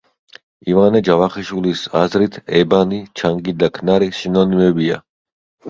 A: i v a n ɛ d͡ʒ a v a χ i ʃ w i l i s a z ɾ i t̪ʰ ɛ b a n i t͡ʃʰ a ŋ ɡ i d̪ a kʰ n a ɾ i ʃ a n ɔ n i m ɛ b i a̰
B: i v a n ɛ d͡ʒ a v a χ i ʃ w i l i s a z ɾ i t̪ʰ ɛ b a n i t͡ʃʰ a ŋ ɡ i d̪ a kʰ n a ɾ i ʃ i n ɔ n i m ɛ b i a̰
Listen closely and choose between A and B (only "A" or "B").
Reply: B